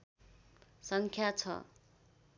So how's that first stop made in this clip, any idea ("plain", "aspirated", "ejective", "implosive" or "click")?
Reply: aspirated